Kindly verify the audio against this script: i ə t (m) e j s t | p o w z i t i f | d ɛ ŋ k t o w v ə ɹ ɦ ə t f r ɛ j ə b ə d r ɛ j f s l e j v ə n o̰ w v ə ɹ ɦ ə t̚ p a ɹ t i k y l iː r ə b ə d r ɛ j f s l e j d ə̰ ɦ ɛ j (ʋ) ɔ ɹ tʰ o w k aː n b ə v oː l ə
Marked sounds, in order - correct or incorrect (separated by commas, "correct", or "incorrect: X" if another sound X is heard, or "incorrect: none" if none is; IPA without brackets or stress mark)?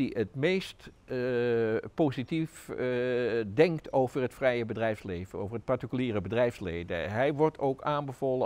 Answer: correct, correct